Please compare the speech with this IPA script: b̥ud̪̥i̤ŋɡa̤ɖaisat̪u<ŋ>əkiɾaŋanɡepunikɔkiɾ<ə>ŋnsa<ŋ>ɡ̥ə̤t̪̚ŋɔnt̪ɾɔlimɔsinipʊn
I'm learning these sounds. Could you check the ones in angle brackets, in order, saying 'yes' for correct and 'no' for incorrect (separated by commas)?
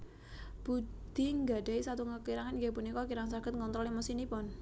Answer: yes, no, no